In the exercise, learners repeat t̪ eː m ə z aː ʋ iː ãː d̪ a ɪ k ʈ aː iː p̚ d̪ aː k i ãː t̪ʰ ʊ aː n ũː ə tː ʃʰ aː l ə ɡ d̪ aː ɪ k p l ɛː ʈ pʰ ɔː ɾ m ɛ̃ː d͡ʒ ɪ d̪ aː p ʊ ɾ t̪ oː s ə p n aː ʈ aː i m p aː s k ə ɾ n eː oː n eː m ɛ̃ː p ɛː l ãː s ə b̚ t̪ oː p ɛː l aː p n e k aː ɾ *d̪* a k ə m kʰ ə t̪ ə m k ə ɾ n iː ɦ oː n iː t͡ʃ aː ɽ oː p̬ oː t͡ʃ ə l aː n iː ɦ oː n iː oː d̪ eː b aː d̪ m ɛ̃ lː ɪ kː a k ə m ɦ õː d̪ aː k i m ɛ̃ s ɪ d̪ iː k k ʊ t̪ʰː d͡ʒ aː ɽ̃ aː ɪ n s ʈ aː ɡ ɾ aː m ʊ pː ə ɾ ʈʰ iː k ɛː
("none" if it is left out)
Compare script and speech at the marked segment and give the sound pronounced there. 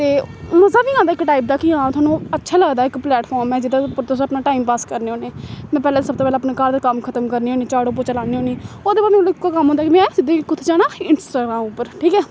d̪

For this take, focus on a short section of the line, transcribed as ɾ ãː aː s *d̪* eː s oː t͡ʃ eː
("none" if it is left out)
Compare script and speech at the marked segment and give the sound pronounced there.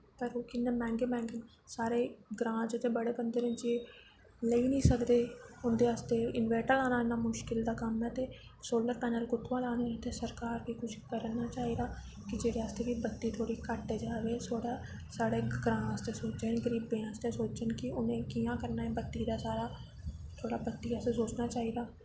t̪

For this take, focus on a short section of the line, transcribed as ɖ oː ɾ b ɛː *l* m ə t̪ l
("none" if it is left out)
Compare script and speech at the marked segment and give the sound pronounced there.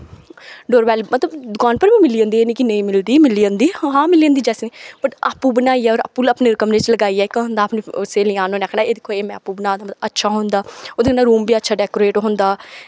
l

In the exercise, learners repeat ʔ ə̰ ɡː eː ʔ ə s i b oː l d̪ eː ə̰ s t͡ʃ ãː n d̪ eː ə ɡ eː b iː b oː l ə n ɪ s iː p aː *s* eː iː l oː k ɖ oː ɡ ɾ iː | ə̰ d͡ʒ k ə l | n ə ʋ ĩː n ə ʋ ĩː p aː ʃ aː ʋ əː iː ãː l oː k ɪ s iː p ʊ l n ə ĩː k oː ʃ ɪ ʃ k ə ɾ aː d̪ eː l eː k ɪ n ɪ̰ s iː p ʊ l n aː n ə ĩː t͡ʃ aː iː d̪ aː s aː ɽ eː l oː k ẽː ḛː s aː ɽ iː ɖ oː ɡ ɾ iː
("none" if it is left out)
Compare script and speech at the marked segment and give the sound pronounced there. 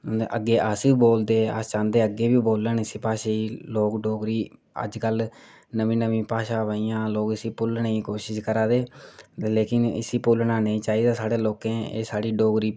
ʃ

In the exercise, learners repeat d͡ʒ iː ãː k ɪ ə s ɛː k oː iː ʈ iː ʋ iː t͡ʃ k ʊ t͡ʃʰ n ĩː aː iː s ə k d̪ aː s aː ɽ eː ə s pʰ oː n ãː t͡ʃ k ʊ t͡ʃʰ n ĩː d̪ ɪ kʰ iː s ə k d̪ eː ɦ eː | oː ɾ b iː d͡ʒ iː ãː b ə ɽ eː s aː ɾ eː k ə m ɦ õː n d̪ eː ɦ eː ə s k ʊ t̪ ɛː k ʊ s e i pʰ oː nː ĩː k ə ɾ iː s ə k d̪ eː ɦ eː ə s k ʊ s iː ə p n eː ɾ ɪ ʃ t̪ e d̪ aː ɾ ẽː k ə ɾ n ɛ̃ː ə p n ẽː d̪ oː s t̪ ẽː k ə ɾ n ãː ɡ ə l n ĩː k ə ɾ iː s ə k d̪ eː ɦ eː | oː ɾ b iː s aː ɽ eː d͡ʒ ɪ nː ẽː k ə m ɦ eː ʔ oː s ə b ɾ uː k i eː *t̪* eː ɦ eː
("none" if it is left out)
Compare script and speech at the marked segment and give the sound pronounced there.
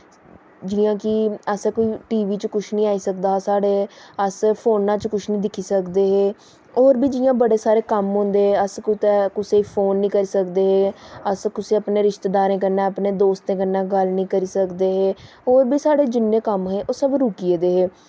d̪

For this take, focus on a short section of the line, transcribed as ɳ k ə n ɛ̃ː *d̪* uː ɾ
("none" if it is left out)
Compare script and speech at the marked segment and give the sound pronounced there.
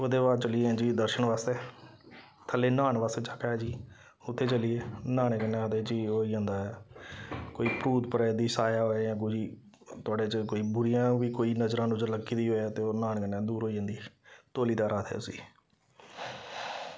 d̪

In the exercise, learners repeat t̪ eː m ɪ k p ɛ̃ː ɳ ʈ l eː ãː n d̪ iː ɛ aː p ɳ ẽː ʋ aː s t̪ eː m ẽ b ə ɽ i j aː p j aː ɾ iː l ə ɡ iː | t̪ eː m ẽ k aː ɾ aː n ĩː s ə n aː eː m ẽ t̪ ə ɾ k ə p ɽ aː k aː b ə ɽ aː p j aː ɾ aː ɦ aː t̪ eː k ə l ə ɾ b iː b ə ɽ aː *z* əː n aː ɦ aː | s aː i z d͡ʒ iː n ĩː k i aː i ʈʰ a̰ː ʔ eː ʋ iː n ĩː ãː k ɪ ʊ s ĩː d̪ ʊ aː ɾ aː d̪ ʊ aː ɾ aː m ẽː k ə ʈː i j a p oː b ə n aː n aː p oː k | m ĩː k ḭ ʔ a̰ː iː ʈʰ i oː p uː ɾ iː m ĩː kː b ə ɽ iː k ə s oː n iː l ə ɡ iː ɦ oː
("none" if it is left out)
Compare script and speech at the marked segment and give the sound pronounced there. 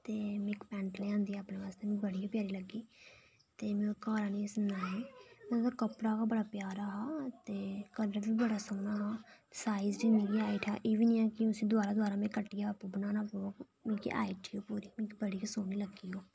s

